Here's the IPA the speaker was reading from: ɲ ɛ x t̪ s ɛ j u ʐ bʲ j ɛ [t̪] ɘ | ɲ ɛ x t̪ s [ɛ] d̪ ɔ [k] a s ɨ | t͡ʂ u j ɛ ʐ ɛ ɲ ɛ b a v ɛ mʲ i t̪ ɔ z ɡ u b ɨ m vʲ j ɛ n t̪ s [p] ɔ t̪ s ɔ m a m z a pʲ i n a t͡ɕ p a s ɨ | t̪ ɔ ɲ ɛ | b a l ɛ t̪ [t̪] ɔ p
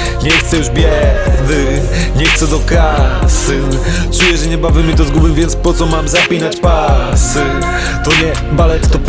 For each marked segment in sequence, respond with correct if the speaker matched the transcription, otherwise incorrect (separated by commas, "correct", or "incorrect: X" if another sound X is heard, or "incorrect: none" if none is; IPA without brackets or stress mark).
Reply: incorrect: d̪, correct, correct, correct, correct